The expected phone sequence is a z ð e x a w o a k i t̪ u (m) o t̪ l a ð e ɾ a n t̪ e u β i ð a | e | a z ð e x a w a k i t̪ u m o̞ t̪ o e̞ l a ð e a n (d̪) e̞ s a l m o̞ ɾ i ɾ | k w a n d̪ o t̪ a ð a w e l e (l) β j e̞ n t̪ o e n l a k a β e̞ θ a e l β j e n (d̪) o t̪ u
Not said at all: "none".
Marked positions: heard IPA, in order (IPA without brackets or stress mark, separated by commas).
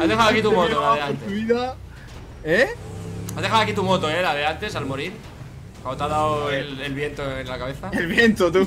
m, t̪, l, t̪